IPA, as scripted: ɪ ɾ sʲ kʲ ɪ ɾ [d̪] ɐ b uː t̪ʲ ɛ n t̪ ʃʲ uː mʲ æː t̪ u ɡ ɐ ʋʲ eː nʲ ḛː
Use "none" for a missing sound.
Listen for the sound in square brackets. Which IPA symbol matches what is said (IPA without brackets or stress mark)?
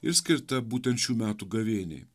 t̪